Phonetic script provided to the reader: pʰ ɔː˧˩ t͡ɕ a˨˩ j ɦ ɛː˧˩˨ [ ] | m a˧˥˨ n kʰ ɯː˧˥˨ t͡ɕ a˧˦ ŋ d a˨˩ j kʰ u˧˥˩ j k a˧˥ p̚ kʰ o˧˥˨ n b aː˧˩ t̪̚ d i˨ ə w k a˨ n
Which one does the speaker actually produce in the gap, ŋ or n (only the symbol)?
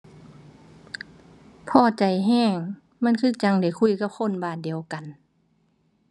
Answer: ŋ